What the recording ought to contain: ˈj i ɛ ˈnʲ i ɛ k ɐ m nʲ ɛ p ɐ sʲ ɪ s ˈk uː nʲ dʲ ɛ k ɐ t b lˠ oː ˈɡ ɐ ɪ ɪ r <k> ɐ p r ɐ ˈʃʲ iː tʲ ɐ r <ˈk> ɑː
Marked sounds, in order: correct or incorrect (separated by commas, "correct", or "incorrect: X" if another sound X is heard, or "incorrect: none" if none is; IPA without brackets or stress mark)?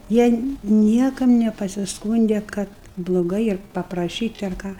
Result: incorrect: p, correct